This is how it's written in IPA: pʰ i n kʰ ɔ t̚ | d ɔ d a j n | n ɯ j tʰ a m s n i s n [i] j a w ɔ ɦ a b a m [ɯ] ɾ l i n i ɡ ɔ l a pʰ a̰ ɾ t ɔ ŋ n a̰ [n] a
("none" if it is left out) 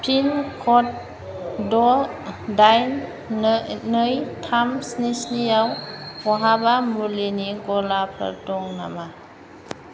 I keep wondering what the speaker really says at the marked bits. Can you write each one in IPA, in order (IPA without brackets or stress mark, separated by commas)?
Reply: i, u, m